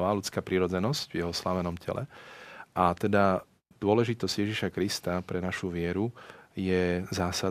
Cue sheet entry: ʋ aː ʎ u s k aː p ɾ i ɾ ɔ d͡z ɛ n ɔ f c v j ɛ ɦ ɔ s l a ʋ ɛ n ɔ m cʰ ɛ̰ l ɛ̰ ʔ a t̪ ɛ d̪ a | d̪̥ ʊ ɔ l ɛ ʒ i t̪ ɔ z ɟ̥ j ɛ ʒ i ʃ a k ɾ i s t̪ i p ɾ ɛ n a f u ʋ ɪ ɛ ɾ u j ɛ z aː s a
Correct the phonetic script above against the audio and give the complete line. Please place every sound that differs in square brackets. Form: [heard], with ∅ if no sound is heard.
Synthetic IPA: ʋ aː [l] u [t͡s] k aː p ɾ i ɾ ɔ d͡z ɛ n ɔ [s] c v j ɛ ɦ ɔ s l a ʋ ɛ n ɔ m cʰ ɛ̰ l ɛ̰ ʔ a t̪ ɛ d̪ a | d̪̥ ʊ ɔ l ɛ ʒ i t̪ ɔ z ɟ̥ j ɛ ʒ i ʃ a k ɾ i s t̪ [a] p ɾ ɛ n a [ʃ] u ʋ ɪ ɛ ɾ u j ɛ z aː s a